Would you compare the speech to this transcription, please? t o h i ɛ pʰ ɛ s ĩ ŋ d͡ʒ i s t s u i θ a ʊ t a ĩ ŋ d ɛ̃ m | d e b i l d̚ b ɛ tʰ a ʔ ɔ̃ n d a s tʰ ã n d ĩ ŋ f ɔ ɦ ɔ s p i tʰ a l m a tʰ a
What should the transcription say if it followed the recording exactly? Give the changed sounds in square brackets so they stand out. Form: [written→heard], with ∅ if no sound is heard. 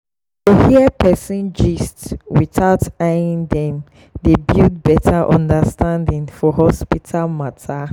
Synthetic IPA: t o h i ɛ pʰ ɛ s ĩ [ŋ→n] d͡ʒ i s t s [u→w] i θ a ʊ t a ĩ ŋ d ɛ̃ m | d e b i l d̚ b ɛ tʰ a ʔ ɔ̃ n d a s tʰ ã n d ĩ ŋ f ɔ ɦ ɔ s p i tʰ a l m a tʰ a